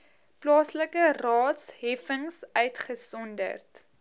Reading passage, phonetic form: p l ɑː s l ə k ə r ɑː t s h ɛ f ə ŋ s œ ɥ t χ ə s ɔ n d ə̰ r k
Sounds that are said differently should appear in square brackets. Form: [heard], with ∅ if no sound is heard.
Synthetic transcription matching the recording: p l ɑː s l ə k ə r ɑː t s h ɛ f ə ŋ s œ ɥ t χ ə s ɔ n d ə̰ r [t]